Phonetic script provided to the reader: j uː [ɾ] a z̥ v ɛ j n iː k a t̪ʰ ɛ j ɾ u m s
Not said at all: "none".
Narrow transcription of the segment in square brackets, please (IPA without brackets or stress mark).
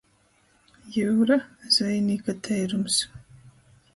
ɾ